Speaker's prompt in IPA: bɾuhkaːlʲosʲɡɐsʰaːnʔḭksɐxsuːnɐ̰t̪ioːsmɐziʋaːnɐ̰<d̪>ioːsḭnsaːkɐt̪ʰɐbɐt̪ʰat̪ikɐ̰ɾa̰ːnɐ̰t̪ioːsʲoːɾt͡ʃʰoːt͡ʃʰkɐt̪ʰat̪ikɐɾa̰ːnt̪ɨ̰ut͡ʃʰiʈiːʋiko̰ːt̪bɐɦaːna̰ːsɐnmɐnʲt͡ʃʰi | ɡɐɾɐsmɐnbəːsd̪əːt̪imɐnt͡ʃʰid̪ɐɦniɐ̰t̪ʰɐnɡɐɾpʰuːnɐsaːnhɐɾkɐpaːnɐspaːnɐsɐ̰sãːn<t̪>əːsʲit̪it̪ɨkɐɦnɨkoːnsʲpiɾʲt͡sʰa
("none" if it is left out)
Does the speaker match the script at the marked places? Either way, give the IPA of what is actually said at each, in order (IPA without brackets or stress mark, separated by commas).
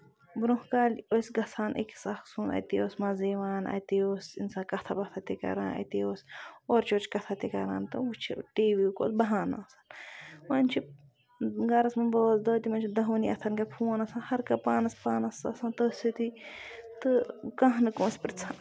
t̪, t̪